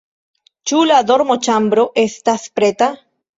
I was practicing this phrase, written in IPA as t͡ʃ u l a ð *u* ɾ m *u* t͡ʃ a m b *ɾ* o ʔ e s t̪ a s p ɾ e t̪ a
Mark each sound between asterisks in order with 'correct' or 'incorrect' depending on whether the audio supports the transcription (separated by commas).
incorrect, incorrect, correct